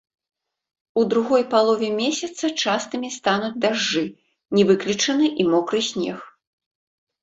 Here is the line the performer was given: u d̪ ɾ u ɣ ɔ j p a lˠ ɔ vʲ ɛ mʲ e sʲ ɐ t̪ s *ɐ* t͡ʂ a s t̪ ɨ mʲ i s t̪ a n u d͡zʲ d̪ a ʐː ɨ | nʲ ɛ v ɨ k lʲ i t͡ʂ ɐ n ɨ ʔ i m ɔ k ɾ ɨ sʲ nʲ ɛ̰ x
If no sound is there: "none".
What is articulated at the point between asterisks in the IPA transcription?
ɐ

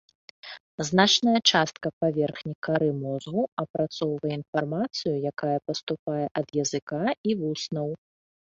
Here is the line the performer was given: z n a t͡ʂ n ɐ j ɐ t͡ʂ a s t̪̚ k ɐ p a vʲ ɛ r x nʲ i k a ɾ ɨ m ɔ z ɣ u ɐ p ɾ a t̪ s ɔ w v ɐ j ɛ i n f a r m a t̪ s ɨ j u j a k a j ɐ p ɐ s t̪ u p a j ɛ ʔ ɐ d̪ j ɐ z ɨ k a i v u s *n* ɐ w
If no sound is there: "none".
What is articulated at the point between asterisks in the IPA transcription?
n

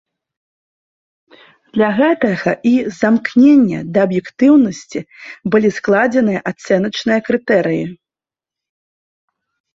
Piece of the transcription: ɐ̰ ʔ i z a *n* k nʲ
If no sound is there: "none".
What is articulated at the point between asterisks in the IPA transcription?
m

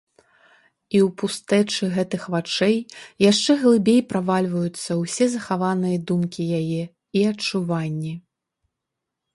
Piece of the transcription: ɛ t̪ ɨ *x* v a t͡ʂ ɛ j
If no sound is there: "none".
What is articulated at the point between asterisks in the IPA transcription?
x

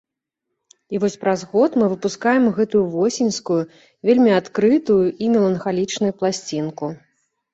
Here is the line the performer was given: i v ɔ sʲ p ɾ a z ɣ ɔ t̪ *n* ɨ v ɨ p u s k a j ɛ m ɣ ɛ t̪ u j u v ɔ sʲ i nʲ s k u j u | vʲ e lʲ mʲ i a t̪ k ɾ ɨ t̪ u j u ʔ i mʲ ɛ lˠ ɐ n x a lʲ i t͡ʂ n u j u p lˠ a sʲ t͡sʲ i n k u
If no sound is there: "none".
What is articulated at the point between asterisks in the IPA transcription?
m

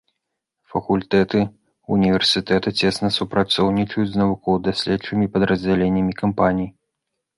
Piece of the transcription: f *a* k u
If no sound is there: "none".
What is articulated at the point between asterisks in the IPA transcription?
ɐ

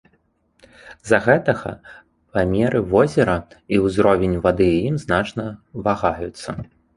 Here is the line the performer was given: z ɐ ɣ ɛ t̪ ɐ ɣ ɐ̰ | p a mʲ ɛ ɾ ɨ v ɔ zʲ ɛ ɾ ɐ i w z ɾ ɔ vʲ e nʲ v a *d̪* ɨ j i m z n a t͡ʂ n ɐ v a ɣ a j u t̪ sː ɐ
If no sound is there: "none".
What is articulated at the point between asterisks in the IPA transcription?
d̪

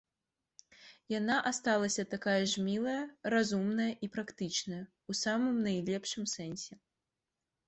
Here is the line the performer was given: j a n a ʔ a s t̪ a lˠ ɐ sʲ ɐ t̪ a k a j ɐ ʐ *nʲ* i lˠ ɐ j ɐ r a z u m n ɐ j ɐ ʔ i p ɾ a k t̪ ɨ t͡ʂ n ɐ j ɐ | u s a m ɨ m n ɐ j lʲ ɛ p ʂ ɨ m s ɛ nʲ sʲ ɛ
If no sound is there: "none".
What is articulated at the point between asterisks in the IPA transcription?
mʲ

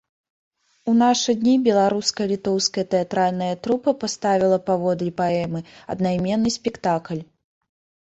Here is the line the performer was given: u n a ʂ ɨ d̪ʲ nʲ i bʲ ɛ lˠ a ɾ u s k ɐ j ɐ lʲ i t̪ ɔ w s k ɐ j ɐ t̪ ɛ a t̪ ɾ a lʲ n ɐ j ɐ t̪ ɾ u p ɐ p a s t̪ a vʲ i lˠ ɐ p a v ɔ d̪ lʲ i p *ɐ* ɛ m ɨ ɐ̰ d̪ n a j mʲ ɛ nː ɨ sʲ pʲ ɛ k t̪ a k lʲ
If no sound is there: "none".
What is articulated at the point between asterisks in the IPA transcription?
a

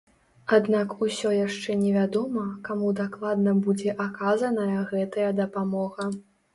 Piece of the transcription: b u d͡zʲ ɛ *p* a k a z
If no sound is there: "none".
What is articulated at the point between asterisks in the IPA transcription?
ʔ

